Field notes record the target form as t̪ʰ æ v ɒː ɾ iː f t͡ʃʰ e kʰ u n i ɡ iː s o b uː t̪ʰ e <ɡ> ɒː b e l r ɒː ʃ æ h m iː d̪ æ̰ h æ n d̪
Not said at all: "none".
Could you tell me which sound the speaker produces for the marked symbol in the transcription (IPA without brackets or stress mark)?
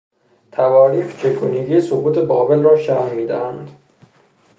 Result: b